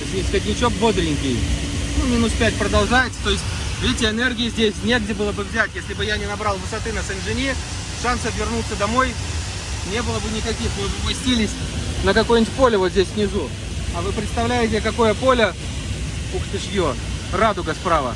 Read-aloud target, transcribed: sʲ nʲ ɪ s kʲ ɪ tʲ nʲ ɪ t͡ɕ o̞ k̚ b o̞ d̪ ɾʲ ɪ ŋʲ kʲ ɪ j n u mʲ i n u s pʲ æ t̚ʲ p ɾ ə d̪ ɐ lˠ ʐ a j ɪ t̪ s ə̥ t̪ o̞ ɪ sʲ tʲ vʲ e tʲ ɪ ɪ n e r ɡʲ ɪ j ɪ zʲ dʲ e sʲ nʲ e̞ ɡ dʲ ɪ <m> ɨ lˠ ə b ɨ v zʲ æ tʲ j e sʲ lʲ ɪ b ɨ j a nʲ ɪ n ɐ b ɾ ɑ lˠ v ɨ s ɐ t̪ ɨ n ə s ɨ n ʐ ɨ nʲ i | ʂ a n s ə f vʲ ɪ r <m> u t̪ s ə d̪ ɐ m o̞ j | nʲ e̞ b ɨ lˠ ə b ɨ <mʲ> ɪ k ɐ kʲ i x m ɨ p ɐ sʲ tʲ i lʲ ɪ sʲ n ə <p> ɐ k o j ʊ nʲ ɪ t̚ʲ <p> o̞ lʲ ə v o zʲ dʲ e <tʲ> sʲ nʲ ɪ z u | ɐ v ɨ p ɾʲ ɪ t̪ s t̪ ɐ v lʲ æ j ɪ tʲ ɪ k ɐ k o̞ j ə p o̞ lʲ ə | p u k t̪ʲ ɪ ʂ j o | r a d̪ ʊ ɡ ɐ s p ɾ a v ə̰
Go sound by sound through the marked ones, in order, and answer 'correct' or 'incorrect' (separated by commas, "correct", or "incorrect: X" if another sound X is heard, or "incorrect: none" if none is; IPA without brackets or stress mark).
incorrect: b, incorrect: n, incorrect: nʲ, incorrect: k, correct, incorrect: sʲ